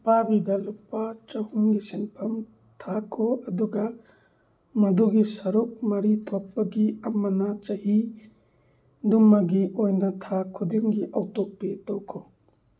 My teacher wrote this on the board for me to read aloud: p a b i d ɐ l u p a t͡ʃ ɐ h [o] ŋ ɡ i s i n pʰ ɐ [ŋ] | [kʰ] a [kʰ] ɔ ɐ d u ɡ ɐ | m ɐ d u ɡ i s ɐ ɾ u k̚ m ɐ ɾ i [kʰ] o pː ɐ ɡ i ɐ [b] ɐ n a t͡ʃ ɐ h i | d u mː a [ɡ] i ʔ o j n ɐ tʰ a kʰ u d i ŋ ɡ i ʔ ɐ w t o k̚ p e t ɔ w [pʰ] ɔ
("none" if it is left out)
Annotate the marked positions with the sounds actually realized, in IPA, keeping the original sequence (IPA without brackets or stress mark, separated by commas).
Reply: u, m, tʰ, kʰ, tʰ, m, ɡ, kʰ